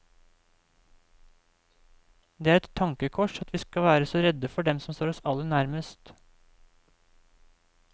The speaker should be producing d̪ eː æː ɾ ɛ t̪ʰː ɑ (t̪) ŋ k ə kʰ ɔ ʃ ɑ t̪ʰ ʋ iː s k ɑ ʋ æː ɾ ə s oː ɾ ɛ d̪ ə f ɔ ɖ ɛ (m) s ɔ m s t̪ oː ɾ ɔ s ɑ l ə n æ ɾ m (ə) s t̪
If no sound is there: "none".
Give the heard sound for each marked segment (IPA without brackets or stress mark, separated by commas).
none, m, ə